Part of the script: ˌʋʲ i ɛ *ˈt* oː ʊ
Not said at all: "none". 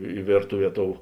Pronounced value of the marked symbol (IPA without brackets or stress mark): t